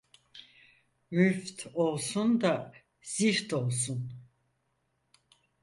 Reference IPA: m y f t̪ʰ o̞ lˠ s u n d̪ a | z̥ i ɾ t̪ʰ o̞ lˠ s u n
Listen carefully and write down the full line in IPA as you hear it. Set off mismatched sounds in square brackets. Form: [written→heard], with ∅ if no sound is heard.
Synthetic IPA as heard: m y f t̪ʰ o̞ lˠ s u n d̪ a | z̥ i ɾ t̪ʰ o̞ lˠ s u n